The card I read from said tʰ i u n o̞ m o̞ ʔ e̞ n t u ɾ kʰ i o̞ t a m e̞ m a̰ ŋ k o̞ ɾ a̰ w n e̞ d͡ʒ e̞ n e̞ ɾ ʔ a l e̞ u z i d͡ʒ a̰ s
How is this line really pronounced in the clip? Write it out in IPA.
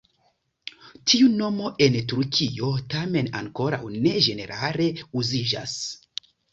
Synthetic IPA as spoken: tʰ i u n o̞ m o̞ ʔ e̞ n t u ɾ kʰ i o̞ t a m e̞ n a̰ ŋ k o̞ ɾ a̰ w n e̞ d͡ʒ e̞ n e̞ ɾ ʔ a l e̞ u z i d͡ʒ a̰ s

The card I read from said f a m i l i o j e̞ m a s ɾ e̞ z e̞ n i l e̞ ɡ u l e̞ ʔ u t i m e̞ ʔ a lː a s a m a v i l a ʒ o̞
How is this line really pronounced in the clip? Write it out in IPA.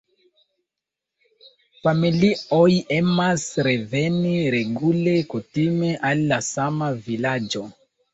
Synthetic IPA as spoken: f a m i l i o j e̞ m a s ɾ e̞ v e̞ n i ɾ e̞ ɡ u l e̞ k u t i m e̞ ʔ a lː a s a m a v i l a d͡ʒ o̞

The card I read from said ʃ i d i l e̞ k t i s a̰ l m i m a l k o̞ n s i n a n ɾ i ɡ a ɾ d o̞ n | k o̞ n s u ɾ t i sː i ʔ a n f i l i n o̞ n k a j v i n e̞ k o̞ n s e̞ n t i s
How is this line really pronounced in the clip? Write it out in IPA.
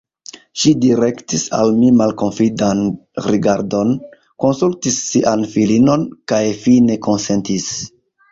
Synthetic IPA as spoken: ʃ i d i ɾ e̞ k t i s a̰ l m i m a l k o̞ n f i d a n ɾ i ɡ a ɾ d o̞ n | k o̞ n s u l t i sː i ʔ a n f i l i n o̞ n k a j f i n e̞ k o̞ n s e̞ n t i s

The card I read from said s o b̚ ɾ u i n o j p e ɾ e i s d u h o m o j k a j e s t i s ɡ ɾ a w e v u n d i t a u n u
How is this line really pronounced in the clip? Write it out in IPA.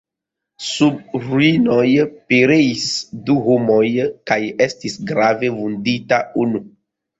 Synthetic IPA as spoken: s u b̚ ɾ u i n o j p e ɾ e i s d u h o m o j k a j e s t i s ɡ ɾ a v e v u n d i t a u n u

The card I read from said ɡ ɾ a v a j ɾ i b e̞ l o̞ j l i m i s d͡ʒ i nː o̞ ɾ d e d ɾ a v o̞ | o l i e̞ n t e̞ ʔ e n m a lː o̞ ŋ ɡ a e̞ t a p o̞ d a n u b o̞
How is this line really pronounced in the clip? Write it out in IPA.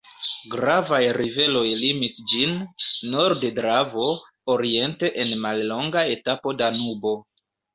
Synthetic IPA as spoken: ɡ ɾ a v a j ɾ i v e̞ l o̞ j l i m i s d͡ʒ i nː o̞ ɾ d e d ɾ a v o̞ | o ɾ i e̞ n t e̞ ʔ e n m a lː o̞ ŋ ɡ a e̞ t a p o̞ d a n u b o̞

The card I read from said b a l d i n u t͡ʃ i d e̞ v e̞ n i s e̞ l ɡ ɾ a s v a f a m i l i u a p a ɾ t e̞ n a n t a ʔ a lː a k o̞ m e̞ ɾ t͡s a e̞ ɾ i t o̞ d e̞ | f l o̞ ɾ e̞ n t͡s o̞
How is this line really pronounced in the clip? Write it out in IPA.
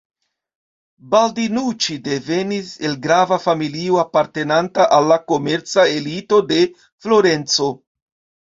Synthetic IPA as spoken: b a l d i n u t͡ʃ i d e̞ v e̞ n i s e̞ l ɡ ɾ a v a f a m i l i o a p a ɾ t e̞ n a n t a ʔ a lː a k o̞ m e̞ ɾ t͡s a e̞ l i t o̞ d e̞ | f l o̞ ɾ e̞ n t͡s o̞

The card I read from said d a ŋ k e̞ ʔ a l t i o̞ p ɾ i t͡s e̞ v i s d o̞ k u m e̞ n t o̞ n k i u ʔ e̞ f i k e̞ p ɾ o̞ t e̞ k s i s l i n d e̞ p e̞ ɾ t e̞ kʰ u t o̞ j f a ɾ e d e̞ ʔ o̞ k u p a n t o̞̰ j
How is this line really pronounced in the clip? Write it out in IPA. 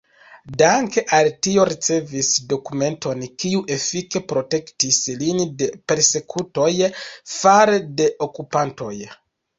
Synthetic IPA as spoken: d a ŋ k e̞ ʔ a l t i o̞ ɾ i t͡s e̞ v i s d o̞ k u m e̞ n t o̞ n k i u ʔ e̞ f i k e̞ p ɾ o̞ t e̞ k t i s l i n d e̞ p e̞ ɾ s e̞ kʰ u t o̞ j f a ɾ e d e̞ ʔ o̞ k u p a n t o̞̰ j

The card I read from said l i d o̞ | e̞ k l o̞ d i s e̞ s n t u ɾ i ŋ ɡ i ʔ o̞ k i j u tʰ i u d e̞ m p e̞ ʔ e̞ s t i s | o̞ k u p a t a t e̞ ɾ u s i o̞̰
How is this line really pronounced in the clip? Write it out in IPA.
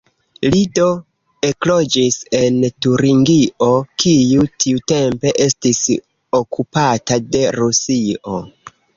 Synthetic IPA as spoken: l i d o̞ | e̞ k l o̞ d͡ʒ i s e̞ n t u ɾ i ŋ ɡ i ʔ o̞ k i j u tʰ i u t e̞ m p e̞ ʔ e̞ s t i s | o̞ k u p a t a d e̞ ɾ u s i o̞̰

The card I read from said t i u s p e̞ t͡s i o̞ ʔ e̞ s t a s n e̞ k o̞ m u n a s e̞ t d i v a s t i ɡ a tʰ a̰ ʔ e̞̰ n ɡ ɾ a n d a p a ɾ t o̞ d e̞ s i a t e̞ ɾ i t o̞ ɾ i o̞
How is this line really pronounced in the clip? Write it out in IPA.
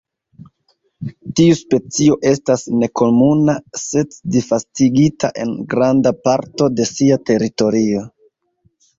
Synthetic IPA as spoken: t i u s p e̞ t͡s i o̞ ʔ e̞ s t a s n e̞ k o̞ m u n a s e̞ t d i f a s t i ɡ i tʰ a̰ ʔ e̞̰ n ɡ ɾ a n d a p a ɾ t o̞ d e̞ s i a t e̞ ɾ i t o̞ ɾ i o̞

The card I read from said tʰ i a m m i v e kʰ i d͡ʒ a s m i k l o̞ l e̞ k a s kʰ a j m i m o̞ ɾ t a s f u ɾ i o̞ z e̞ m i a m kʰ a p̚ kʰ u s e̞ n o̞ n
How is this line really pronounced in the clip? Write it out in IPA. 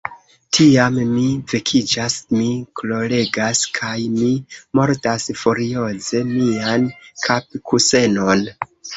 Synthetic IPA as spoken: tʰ i a m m i v e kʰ i d͡ʒ a s m i k l o̞ l e̞ ɡ a s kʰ a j m i m o̞ ɾ t a s f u ɾ i o̞ z e̞ m i a n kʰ a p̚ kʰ u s e̞ n o̞ n

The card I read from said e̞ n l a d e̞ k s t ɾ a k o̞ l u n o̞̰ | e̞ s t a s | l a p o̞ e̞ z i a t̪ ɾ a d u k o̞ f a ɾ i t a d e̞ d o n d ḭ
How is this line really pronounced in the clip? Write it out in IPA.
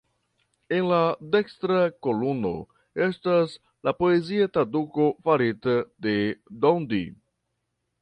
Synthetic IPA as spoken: e̞ n l a d e̞ k s t ɾ a k o̞ l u n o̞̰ | e̞ s t a s | l a p o̞ e̞ z i a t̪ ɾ a d u k o̞ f a ɾ i t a d e̞ d o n d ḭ

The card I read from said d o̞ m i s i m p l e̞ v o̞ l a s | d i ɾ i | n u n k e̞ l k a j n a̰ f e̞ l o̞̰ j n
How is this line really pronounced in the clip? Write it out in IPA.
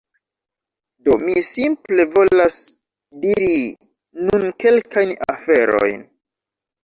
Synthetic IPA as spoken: d o̞ m i s i m p l e̞ v o̞ l a s | d i ɾ i | n u n k e̞ l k a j n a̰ f e̞ ɾ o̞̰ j n

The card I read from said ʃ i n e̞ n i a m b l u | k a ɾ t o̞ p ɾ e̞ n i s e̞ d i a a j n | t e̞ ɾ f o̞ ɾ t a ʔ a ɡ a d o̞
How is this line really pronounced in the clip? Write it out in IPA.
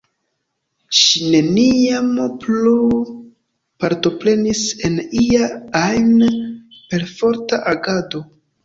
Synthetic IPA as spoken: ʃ i n e̞ n i a m p l u | p a ɾ t o̞ p ɾ e̞ n i s e̞ n i a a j n | p e̞ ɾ f o̞ ɾ t a ʔ a ɡ a d o̞

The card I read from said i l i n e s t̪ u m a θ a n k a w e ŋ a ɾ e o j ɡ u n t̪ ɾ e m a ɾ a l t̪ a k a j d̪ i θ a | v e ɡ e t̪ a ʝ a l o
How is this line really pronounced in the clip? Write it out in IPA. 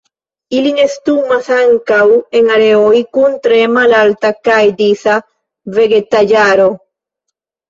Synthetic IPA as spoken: i l i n e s t̪ u m a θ a ŋ k a w e ŋ a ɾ e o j k u n t̪ ɾ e m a l a l t̪ a k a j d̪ i θ a | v e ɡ e t̪ a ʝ a ɾ o

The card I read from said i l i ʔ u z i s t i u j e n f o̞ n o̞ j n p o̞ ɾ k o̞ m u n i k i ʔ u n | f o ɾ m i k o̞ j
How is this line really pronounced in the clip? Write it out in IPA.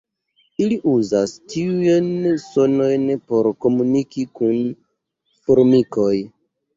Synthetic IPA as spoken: i l i ʔ u z a s t i u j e n s o̞ n o̞ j n p o̞ ɾ k o̞ m u n i k i k u n | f o ɾ m i k o̞ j

